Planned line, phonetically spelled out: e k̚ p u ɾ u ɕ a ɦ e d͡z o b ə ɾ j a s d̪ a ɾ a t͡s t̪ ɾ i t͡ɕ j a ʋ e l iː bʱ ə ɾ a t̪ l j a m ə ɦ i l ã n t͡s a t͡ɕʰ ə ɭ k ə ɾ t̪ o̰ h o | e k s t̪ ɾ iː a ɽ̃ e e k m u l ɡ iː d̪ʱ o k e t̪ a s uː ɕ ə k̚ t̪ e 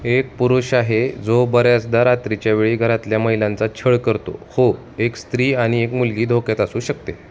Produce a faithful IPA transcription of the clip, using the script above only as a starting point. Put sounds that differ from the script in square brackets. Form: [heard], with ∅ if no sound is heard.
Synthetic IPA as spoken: e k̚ p u ɾ u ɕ a ɦ e d͡z o b ə ɾ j a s d̪ a ɾ a [∅] t̪ ɾ i t͡ɕ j a ʋ e [ɭ] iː [ɡʱ] ə ɾ a t̪ l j a m ə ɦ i l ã n t͡s a t͡ɕʰ ə ɭ k ə ɾ t̪ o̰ h o | e k s t̪ ɾ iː a ɽ̃ [i] e k m u l ɡ iː d̪ʱ o k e t̪ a s uː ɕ ə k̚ t̪ e